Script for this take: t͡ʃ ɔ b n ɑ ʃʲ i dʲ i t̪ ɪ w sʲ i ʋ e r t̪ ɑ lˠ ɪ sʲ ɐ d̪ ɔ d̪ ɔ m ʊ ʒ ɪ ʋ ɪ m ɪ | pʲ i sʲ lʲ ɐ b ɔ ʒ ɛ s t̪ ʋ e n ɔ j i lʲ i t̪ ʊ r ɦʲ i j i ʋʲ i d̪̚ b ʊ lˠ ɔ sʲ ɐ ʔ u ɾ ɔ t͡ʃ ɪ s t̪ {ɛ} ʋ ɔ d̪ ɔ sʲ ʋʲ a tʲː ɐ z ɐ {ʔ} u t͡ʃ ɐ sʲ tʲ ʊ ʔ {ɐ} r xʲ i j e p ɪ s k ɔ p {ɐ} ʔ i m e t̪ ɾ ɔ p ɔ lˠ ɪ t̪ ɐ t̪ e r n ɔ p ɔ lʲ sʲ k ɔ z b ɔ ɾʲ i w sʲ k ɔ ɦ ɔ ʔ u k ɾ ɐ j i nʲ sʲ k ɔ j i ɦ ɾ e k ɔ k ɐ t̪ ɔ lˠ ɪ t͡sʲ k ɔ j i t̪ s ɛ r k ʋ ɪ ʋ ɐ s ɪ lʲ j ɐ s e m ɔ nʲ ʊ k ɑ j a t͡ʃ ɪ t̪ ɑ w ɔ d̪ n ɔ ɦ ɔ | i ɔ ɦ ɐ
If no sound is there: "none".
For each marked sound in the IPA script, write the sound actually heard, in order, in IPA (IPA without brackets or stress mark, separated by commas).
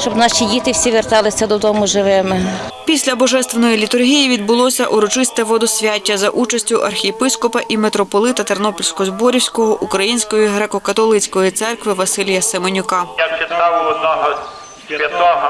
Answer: ɛ, ʔ, ɐ, ɐ